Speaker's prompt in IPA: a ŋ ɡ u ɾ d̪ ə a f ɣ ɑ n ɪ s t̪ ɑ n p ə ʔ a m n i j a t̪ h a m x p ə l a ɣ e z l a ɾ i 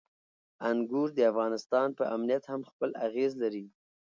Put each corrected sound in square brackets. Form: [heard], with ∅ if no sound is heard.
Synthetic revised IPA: a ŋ ɡ u ɾ d̪ ə a f ɣ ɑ n ɪ s t̪ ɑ n p ə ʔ a m n i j a t̪ h a m x p ə l a ɣ e z l a ɾ i